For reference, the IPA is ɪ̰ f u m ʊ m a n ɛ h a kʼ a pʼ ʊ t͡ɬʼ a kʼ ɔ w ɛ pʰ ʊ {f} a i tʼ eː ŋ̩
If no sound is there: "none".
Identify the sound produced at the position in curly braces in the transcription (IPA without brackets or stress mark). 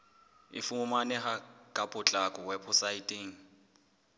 s